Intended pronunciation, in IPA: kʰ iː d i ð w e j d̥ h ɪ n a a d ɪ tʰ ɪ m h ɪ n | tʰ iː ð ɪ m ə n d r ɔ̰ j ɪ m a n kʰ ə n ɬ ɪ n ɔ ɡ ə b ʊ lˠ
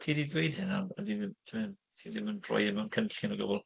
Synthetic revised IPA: tʰ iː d i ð w e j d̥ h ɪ n a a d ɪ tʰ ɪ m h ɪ n | tʰ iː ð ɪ m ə n d r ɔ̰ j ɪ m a n kʰ ə n ɬ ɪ n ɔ ɡ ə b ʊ lˠ